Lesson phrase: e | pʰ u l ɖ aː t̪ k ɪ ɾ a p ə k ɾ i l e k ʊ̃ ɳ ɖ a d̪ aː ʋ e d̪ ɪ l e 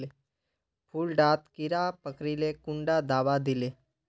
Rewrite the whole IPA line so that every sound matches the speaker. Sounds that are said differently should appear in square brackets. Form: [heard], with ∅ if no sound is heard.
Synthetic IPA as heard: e | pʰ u l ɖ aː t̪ k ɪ ɾ a p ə k ɾ i l e k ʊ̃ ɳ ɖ a d̪ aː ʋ [a] d̪ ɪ l e